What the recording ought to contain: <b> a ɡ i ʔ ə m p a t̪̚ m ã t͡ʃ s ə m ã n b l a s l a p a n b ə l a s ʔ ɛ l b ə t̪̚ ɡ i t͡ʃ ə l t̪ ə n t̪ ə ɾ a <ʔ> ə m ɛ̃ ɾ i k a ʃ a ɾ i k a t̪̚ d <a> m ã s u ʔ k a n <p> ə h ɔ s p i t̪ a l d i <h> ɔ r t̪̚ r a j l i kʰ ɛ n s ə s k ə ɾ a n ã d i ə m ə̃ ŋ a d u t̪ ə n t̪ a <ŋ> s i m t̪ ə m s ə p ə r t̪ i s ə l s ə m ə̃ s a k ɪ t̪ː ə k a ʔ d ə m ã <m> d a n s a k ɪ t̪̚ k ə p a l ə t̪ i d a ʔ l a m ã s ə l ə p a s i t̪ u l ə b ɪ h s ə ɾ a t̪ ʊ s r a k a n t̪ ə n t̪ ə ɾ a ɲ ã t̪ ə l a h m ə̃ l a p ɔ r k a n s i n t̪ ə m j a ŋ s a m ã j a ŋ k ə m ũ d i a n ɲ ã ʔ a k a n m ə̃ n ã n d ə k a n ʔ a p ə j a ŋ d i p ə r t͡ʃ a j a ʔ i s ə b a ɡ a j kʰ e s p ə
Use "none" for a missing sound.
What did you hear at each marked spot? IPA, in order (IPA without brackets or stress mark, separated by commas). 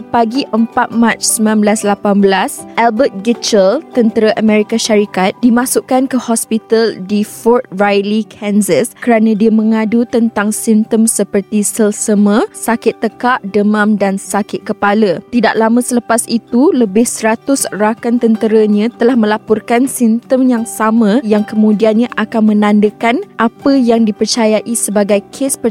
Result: p, ʔ, i, k, f, ŋ, m